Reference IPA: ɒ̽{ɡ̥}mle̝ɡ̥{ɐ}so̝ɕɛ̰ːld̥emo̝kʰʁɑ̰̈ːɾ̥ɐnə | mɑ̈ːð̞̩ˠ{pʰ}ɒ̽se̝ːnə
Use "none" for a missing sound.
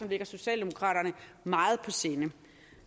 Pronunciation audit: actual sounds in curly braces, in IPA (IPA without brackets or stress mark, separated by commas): none, ɐ, pʰ